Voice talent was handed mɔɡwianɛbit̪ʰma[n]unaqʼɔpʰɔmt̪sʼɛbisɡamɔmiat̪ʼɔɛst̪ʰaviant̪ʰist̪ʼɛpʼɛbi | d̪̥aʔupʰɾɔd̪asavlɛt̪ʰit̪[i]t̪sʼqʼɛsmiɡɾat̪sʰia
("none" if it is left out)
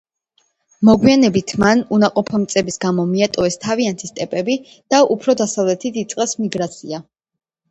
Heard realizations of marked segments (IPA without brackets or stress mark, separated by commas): n, i